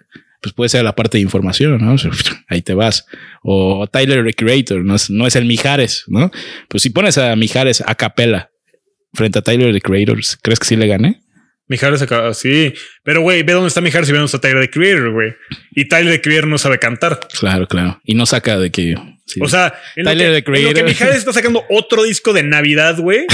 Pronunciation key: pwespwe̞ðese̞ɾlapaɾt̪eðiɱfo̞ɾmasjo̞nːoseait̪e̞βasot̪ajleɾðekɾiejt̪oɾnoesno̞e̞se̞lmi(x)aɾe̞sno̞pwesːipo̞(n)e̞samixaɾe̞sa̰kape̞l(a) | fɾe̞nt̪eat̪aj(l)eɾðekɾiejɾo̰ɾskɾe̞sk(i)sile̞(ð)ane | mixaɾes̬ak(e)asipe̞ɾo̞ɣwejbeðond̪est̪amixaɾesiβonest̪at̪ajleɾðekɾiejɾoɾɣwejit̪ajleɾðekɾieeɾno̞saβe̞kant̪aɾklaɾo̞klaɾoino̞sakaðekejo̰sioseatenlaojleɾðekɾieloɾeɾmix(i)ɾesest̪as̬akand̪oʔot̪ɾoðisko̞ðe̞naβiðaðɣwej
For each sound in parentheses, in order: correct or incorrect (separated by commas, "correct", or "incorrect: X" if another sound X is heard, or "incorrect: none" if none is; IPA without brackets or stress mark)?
correct, correct, correct, correct, incorrect: e, incorrect: ɣ, incorrect: a, incorrect: a